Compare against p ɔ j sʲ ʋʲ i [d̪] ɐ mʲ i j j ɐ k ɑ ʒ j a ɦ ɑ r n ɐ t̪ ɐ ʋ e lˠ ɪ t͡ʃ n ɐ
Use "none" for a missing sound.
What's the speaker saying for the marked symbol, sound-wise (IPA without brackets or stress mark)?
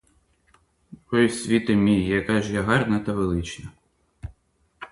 t̪